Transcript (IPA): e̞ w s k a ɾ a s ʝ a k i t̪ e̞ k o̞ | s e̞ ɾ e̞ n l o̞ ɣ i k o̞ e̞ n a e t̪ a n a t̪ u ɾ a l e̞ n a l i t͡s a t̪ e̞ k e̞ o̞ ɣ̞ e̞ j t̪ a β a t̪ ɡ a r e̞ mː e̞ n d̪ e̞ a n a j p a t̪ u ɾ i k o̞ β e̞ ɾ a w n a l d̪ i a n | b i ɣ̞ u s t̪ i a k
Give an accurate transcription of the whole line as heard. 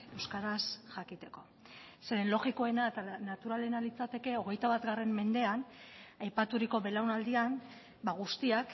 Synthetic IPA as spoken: e̞ w s k a ɾ a s ʝ a k i t̪ e̞ k o̞ | s e̞ ɾ e̞ n l o̞ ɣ i k o̞ e̞ n a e t̪ a n a t̪ u ɾ a l e̞ n a l i t͡s a t̪ e̞ k e̞ o̞ ɣ̞ e̞ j t̪ a β a t̪ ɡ a r e̞ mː e̞ n d̪ e̞ a n a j p a t̪ u ɾ i k o̞ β e̞ l a w n a l d̪ i a n | b a ɣ̞ u s t̪ i a k